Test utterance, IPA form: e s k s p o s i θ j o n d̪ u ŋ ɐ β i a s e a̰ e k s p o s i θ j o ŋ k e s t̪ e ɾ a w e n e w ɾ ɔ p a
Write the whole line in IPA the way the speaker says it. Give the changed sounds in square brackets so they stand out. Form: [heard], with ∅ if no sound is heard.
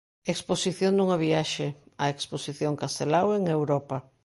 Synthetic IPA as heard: e [∅] k s p o s i θ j o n d̪ u ŋ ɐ β i a [ʃ] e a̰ e k s p o s i θ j o ŋ k [a] s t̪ e [l] a w e [ŋ] e w ɾ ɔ p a